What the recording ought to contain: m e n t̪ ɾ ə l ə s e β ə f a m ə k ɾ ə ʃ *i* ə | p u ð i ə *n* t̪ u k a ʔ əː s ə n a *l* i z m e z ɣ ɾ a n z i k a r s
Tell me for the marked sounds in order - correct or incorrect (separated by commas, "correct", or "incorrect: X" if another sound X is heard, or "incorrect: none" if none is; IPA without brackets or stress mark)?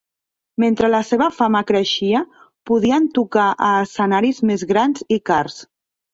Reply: correct, correct, incorrect: ɾ